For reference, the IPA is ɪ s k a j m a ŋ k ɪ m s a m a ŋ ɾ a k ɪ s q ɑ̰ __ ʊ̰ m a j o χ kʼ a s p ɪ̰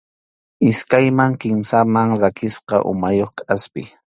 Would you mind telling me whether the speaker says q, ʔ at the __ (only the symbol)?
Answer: ʔ